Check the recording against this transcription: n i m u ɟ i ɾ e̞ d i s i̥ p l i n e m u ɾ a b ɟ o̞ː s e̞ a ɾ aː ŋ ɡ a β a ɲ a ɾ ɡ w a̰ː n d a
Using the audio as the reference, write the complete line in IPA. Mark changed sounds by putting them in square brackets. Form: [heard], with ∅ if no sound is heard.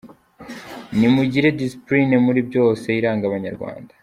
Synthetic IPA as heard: n i m u ɟ i ɾ e̞ d i s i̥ p l i n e m u ɾ [i] b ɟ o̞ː s e̞ [i] ɾ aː ŋ ɡ a β a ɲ a ɾ ɡ w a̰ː n d a